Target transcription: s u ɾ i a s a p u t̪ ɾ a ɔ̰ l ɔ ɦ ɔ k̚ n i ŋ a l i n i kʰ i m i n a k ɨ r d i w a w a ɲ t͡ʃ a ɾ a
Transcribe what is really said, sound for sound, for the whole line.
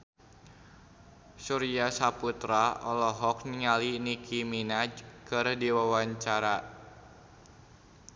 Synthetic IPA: s u ɾ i a s a p u t̪ ɾ a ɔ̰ l ɔ ɦ ɔ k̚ n i ŋ a l i n i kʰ i m i n a k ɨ r d i w a w a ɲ t͡ʃ a ɾ a